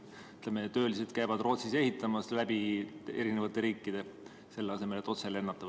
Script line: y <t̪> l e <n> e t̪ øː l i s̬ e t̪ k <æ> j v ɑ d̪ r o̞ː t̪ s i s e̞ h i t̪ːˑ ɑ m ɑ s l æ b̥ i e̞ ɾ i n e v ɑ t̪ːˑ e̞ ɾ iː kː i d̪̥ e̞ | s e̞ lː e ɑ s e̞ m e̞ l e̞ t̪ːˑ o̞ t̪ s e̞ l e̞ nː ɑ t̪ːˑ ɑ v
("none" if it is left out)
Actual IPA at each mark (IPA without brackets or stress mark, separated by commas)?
t̪, m, æ